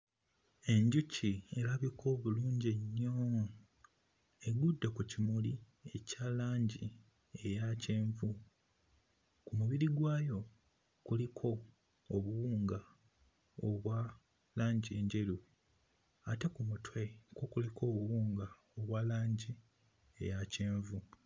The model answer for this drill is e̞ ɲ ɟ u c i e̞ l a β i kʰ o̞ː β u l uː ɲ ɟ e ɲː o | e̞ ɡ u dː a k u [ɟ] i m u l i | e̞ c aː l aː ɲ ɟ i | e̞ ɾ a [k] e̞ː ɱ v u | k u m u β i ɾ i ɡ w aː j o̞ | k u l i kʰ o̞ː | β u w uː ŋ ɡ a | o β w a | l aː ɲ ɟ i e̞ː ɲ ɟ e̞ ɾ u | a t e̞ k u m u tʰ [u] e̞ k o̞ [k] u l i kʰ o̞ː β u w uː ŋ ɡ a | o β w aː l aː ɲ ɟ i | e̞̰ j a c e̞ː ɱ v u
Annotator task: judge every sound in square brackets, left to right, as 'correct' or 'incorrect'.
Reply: incorrect: c, incorrect: c, incorrect: w, correct

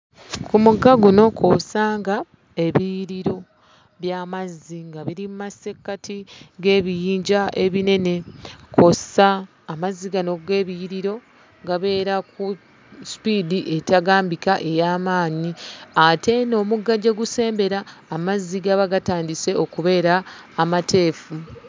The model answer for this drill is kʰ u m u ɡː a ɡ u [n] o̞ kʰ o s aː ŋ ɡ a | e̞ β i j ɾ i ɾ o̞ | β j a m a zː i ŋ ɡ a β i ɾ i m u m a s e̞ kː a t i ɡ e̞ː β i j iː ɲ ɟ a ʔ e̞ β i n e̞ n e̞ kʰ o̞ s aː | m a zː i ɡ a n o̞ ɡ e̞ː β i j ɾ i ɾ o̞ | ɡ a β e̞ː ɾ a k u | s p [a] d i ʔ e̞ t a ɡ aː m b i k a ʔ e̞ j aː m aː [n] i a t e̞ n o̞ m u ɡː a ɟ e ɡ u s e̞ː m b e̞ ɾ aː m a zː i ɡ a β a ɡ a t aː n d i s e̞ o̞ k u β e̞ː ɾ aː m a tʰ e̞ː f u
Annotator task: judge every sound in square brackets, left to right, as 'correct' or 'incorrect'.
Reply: correct, incorrect: i, incorrect: ɲ

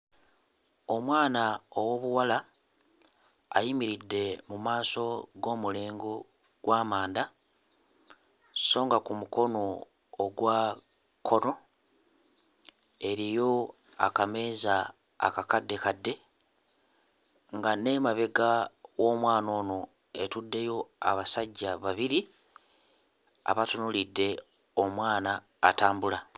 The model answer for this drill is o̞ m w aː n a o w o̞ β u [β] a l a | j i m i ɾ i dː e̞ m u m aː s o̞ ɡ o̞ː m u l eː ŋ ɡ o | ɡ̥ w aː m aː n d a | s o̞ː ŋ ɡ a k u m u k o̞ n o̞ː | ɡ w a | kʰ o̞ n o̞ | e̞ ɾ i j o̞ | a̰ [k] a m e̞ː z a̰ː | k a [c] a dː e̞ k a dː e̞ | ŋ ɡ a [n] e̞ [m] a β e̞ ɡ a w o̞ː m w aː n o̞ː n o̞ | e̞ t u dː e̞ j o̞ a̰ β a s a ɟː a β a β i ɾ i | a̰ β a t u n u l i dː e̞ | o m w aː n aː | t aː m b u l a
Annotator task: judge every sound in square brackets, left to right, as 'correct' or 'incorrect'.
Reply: incorrect: w, correct, incorrect: k, correct, correct

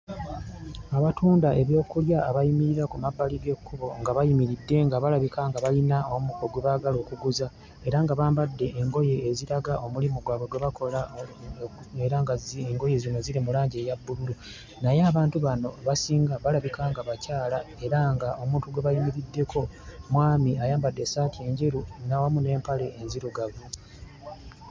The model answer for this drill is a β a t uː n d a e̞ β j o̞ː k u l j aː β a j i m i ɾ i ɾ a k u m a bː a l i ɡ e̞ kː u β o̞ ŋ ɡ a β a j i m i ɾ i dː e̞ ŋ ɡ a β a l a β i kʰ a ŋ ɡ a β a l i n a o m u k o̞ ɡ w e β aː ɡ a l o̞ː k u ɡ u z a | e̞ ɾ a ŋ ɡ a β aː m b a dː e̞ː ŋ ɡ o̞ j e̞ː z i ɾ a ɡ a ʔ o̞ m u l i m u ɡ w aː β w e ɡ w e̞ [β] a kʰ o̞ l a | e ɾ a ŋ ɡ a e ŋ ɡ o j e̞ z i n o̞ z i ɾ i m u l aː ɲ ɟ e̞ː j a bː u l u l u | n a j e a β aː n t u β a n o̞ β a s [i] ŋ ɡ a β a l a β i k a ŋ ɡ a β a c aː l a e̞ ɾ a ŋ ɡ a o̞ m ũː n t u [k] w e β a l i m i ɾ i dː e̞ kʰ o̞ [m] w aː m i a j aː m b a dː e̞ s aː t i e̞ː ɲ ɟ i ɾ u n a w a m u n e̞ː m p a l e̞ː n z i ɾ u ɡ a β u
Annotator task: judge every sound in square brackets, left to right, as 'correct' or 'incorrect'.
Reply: correct, incorrect: iː, incorrect: ɡ, correct

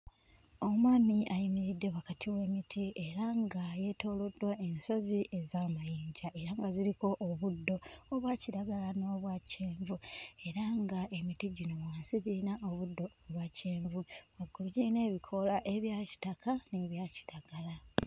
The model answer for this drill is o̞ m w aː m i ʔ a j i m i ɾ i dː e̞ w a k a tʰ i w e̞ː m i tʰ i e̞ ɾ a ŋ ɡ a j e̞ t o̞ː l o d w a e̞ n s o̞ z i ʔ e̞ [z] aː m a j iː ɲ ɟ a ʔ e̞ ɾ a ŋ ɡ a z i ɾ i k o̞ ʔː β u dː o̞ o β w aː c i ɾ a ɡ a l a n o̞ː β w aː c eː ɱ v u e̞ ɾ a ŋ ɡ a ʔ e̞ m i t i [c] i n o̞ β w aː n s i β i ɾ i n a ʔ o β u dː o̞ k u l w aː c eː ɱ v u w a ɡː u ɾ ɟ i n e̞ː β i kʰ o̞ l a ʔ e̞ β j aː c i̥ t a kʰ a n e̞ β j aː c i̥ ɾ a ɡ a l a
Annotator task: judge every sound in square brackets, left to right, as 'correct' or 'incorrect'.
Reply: correct, incorrect: ɟ

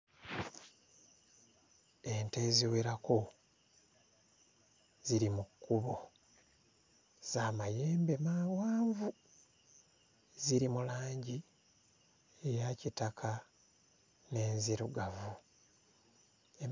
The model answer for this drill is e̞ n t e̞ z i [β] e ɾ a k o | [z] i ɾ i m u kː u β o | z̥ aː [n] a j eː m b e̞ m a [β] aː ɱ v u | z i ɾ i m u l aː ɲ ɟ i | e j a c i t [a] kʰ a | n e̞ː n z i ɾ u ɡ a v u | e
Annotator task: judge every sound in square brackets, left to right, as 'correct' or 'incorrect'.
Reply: incorrect: w, correct, incorrect: m, incorrect: w, correct

